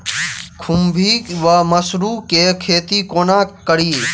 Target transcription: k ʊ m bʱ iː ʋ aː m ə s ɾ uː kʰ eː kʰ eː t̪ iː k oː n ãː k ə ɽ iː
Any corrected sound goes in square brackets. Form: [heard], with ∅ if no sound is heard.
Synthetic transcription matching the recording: [kʰ] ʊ m bʱ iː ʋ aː m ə s ɾ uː [k] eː kʰ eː t̪ iː k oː n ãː k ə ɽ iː